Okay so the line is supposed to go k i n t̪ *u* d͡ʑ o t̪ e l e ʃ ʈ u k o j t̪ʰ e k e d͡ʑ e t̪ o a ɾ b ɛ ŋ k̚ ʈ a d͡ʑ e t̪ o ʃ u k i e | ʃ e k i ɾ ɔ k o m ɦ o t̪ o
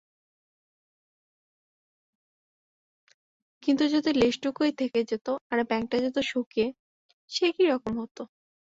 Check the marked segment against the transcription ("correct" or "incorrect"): correct